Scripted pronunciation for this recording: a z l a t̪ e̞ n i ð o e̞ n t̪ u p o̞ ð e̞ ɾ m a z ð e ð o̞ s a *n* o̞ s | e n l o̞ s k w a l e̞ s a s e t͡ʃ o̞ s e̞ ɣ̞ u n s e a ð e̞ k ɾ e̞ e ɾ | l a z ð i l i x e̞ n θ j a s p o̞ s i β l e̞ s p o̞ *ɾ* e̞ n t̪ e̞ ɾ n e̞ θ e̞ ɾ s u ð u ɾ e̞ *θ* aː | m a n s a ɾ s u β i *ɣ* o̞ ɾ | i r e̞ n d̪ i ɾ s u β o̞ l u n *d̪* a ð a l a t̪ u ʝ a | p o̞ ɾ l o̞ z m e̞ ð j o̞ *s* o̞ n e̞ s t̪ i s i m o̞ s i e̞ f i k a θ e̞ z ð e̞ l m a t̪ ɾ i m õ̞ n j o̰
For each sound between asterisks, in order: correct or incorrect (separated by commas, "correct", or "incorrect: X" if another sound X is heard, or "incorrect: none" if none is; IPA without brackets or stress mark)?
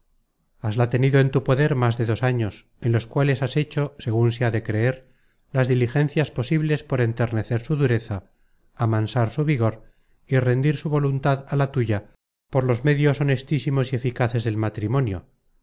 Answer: incorrect: ɲ, correct, correct, correct, incorrect: t̪, correct